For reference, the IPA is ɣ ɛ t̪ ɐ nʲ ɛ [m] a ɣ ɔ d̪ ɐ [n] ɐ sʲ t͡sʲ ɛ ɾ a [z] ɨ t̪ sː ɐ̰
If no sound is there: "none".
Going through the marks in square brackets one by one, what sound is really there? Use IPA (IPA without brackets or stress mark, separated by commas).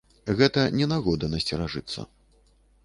n, n, ʐ